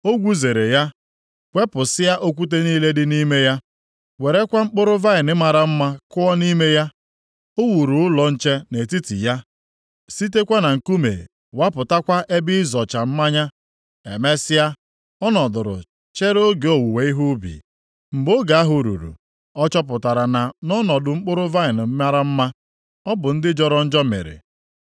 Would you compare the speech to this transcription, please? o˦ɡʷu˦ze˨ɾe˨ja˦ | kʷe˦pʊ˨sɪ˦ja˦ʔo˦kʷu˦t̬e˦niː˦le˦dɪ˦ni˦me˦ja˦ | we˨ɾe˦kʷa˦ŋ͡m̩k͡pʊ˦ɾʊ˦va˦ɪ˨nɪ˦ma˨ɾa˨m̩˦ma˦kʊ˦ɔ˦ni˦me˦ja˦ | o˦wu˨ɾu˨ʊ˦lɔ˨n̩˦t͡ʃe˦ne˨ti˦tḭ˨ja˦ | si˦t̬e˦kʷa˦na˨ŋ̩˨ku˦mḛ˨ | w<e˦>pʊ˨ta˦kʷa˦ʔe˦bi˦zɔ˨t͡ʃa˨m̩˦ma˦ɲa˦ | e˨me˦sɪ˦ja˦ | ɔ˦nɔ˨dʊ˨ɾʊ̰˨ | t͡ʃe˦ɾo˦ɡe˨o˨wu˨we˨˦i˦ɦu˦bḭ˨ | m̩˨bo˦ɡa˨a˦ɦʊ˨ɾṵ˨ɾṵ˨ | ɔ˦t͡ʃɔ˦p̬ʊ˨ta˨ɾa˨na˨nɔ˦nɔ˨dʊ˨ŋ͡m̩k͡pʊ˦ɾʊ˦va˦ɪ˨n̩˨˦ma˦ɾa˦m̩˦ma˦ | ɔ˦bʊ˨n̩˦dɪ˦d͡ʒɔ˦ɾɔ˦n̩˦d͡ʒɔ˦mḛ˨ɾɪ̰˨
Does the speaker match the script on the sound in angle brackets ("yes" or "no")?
no